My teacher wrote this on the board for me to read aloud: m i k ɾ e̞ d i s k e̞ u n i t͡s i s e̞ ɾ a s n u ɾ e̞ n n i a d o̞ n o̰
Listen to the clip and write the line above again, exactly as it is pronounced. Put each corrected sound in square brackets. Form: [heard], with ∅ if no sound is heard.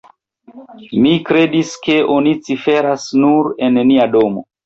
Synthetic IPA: m i k ɾ e̞ d i s k e̞ [o] n i t͡s i [f] e̞ ɾ a s n u ɾ e̞ n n i a d o̞ [m] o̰